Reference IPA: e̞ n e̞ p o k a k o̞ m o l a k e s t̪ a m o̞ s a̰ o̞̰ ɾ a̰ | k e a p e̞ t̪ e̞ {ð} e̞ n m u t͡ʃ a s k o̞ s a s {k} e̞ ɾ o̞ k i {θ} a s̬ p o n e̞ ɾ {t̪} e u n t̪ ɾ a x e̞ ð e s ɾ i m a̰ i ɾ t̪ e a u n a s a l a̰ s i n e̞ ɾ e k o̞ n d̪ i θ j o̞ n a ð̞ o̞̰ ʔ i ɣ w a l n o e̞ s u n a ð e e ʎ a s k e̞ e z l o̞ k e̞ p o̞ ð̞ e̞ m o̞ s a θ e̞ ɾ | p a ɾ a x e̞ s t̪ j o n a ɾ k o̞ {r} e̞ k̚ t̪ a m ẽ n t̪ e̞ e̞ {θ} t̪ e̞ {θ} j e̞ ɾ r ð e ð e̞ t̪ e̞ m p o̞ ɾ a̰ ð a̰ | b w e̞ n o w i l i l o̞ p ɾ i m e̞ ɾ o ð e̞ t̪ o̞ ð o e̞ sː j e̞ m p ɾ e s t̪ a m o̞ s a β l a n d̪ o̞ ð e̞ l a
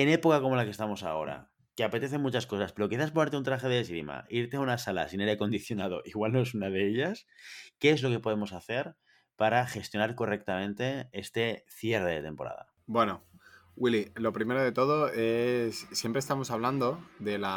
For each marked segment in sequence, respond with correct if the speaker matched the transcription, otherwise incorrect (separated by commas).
incorrect, incorrect, correct, correct, correct, incorrect, correct